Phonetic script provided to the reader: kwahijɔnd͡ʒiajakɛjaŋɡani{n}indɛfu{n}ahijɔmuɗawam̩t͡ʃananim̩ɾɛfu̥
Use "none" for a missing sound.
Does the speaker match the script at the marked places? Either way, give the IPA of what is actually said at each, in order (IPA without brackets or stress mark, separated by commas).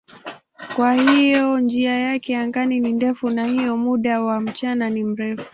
n, n